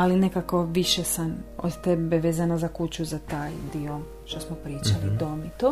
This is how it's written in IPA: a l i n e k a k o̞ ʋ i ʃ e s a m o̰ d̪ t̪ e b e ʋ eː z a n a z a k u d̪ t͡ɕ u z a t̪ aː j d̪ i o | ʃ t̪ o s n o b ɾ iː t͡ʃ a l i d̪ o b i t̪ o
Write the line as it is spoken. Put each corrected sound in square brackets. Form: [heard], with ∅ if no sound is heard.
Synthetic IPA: a l i n e k a k o̞ ʋ i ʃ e s a m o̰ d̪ t̪ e b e ʋ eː z a n a z a k u [∅] t͡ɕ u z a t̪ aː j d̪ i o | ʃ t̪ o s [m] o [p] ɾ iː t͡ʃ a l i d̪ o [m] i t̪ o